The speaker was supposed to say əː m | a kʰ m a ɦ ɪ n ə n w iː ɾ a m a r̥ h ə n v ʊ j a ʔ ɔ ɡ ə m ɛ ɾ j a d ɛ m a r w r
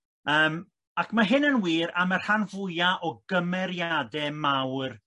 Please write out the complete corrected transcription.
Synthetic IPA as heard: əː m | a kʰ m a ɦ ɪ n ə n w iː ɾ a m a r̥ h a n v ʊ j a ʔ ɔ ɡ ə m ɛ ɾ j a d ɛ m a w r

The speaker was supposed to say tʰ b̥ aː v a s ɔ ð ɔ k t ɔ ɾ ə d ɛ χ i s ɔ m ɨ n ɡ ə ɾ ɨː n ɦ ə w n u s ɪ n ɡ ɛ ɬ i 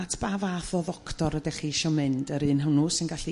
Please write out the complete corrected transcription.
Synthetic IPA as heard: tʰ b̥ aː v a θ ɔ ð ɔ k t ɔ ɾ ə d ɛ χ i ʃ ɔ m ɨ n d ə ɾ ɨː n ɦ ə w n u s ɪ n ɡ a ɬ i

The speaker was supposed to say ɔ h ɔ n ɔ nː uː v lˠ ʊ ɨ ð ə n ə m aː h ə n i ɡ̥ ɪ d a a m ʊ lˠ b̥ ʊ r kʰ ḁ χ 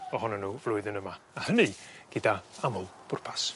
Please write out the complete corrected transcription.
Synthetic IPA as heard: ɔ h ɔ n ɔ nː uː v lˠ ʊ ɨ ð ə n ə m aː h ə n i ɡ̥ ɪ d a a m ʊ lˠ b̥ ʊ r pʰ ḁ s

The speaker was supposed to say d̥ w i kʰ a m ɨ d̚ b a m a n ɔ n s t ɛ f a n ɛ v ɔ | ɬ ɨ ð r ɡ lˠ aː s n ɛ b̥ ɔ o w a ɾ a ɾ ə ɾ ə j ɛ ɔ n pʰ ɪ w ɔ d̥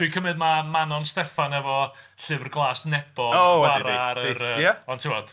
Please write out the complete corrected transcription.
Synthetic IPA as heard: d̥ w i kʰ ə m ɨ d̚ m a m a n ɔ n s t ɛ f a n ɛ v ɔ | ɬ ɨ v r ɡ lˠ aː s n ɛ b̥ ɔ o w a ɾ a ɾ ə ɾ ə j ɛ ɔ n tʰ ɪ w ɔ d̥

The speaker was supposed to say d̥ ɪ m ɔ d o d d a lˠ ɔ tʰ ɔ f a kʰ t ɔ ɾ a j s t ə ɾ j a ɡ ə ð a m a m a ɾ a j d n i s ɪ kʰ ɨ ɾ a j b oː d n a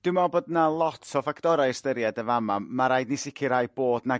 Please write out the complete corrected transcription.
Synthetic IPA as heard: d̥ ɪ m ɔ b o d n a lˠ ɔ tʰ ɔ f a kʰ t ɔ ɾ a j s t ə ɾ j a d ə v a m a m a ɾ a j d n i s ɪ kʰ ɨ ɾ a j b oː d n a

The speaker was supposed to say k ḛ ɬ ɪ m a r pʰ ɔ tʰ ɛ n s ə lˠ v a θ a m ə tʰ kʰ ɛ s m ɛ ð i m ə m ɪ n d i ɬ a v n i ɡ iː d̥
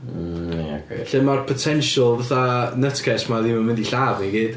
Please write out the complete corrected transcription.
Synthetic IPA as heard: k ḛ ɬ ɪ m a r pʰ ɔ tʰ ɛ n ʃ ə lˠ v a θ a n ə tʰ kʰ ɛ s m a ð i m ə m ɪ n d i ɬ a v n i ɡ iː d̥

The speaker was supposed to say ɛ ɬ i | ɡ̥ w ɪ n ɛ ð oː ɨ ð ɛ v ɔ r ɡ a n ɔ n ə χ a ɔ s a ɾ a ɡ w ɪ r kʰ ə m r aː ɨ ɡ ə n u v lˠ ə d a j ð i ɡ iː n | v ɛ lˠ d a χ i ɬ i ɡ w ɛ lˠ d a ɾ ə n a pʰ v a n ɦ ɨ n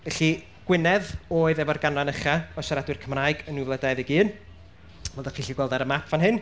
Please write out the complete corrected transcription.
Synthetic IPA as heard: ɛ ɬ i | ɡ̥ w ɪ n ɛ ð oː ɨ ð ɛ v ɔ r ɡ a n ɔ n ə χ a ɔ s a ɾ a d w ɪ r kʰ ə m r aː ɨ ɡ ə n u v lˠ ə d a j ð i ɡ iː n | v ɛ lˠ d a χ i ɬ i ɡ w ɛ lˠ d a ɾ ə m a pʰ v a n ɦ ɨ n

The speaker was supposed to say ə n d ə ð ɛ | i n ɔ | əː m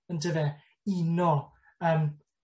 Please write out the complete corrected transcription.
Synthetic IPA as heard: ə n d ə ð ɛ | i n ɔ | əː m

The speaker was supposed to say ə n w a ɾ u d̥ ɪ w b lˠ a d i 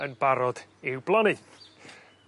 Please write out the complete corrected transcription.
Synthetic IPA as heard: ə n b a ɾ ɔ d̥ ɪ w b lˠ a n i

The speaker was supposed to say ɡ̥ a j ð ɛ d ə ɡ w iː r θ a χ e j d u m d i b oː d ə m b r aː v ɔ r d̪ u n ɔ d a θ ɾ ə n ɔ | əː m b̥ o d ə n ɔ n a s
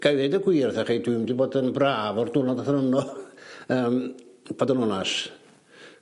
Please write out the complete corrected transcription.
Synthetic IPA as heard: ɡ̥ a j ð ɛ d ə ɡ w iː r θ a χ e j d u m d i b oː d ə n b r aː v ɔ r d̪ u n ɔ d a θ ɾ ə n ɔ | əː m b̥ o d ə n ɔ n a s

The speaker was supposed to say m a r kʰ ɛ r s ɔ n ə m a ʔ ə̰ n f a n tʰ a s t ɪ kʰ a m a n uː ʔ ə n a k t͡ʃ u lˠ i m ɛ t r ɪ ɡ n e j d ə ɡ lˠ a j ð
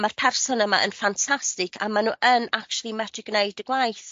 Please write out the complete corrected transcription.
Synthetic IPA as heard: m a r pʰ ɛ r s ɔ n ə m a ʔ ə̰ n f a n tʰ a s t ɪ kʰ a m a n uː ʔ ə n a k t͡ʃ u lˠ i m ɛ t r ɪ ɡ n e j d ə ɡ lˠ a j θ

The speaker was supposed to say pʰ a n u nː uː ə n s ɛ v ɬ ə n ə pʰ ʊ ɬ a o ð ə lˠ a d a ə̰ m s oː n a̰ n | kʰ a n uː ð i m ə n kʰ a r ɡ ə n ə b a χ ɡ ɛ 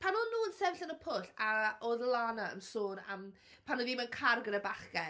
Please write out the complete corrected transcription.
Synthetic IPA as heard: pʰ a n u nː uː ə n s ɛ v ɬ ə n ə pʰ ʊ ɬ a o ð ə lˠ a n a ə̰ m s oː n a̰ m | pʰ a n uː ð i m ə n kʰ a r ɡ ə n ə b a χ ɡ ɛ

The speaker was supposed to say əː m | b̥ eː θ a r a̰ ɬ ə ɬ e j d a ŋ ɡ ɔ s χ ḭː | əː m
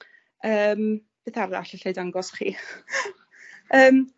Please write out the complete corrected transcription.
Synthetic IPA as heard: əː m | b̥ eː θ a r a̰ ɬ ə ɬ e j d a ŋ ɡ ɔ s χ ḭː | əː m

